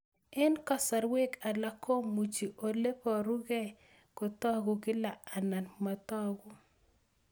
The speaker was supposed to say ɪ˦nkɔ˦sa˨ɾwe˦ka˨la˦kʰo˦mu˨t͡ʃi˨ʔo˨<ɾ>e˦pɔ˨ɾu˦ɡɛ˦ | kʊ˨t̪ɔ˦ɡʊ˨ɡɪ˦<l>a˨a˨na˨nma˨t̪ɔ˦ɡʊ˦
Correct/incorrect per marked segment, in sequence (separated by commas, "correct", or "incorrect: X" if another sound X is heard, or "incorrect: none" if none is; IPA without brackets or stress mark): incorrect: l, correct